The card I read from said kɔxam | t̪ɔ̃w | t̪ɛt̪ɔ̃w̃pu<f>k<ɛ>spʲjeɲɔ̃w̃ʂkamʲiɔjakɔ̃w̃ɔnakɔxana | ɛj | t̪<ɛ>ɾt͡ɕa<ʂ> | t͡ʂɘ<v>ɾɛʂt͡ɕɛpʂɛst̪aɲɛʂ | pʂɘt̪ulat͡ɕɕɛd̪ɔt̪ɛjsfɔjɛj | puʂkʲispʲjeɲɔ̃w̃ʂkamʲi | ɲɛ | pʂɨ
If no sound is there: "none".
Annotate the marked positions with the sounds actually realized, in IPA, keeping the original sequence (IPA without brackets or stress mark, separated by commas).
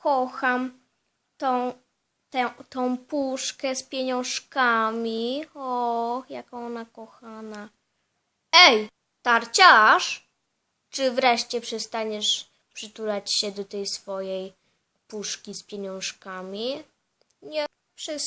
ʂ, ɛ, a, ʂ, v